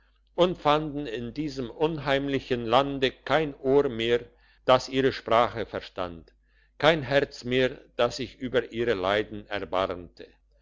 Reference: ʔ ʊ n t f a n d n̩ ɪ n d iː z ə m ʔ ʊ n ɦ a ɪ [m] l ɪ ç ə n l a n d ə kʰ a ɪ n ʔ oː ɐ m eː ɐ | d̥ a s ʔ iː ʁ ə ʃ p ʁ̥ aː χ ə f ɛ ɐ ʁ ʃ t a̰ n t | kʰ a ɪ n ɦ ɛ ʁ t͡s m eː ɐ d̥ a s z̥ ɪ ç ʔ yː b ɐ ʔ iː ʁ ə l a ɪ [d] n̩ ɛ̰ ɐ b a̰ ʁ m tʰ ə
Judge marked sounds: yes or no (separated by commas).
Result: yes, yes